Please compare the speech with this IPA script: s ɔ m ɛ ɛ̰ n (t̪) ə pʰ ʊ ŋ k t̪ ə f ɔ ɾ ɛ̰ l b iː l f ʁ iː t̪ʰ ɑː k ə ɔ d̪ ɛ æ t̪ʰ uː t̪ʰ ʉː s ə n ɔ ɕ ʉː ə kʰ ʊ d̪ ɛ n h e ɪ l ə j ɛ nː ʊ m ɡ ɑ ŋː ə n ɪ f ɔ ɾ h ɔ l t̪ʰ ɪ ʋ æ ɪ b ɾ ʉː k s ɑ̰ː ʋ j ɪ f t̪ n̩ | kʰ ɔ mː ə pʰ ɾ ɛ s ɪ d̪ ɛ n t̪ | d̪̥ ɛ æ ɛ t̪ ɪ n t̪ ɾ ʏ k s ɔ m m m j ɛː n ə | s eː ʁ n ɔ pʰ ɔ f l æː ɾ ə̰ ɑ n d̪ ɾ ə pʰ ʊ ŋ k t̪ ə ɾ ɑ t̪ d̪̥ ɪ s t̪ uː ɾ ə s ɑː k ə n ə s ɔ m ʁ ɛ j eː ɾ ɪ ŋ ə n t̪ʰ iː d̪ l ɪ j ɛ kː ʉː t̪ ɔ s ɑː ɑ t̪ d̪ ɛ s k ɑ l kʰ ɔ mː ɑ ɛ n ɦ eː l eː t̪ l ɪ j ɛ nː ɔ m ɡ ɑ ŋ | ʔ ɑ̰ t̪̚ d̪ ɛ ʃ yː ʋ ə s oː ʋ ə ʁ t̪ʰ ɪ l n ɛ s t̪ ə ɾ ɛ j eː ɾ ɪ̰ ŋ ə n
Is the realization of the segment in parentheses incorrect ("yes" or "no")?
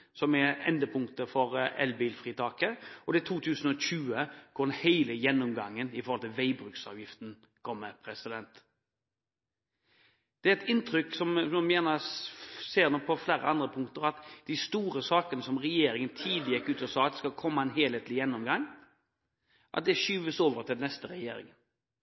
yes